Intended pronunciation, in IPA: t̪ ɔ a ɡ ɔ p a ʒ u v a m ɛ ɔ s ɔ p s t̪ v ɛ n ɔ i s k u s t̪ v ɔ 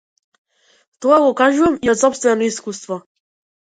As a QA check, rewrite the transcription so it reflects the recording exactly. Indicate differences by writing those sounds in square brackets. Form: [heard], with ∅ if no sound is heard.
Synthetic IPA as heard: t̪ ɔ a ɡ ɔ [k] a ʒ u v a m [i] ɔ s ɔ p s t̪ v ɛ n ɔ i s k u s t̪ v ɔ